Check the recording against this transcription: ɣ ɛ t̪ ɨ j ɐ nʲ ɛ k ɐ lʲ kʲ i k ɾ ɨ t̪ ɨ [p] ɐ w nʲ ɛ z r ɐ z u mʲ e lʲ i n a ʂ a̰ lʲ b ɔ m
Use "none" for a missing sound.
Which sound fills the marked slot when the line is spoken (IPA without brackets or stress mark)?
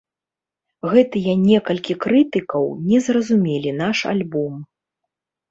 k